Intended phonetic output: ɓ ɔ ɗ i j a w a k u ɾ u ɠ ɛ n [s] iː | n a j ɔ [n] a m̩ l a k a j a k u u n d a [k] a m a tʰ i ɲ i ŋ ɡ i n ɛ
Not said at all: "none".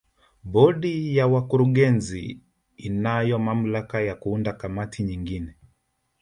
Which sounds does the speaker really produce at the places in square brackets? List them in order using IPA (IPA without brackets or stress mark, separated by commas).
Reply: z, m, k